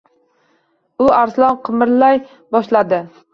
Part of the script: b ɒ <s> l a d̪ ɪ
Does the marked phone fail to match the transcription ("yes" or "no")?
yes